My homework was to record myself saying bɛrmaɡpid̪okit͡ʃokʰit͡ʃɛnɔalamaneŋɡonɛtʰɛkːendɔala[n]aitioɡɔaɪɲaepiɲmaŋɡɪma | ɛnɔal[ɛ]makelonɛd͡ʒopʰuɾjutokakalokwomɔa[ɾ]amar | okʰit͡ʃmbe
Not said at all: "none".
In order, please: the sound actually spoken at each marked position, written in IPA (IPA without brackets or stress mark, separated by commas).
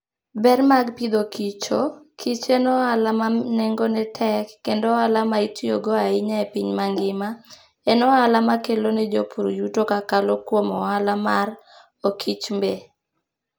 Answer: m, a, l